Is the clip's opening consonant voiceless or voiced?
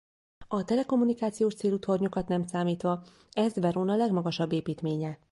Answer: voiceless